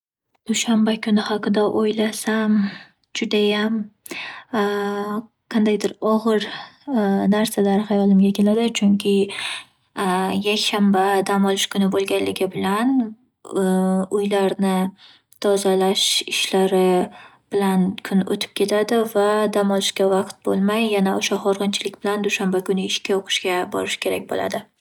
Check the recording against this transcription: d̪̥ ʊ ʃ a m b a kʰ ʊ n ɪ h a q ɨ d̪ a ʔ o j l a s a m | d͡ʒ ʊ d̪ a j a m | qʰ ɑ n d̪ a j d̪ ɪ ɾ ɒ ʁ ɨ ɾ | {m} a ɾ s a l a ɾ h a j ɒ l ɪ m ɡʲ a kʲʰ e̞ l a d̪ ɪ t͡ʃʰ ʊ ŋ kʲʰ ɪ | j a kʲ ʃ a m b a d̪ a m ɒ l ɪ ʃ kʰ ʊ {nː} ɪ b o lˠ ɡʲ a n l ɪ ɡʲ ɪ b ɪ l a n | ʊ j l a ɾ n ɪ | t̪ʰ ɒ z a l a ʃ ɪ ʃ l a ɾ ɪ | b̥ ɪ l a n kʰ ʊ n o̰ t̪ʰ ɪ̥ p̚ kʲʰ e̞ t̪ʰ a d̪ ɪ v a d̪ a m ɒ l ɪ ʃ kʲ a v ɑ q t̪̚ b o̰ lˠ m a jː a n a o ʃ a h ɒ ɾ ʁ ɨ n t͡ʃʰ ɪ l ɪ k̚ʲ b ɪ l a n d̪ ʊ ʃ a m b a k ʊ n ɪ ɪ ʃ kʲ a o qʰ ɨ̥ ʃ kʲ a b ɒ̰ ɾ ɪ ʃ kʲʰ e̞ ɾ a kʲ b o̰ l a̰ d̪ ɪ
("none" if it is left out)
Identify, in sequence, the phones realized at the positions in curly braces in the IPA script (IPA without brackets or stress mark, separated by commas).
n, n